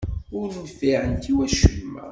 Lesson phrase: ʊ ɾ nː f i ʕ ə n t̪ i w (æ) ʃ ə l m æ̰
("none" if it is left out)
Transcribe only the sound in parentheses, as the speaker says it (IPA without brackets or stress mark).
æ